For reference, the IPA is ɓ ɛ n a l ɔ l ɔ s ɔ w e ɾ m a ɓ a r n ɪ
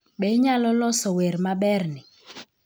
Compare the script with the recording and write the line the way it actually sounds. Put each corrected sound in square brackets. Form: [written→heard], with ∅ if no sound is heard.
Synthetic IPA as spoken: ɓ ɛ [n→ɲ] a l ɔ l ɔ s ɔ w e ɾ m a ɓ [a→ɛ] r n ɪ